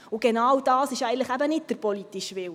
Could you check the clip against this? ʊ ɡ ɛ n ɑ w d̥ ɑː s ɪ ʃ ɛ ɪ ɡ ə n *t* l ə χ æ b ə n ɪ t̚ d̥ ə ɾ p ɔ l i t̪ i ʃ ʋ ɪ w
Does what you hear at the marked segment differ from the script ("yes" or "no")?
no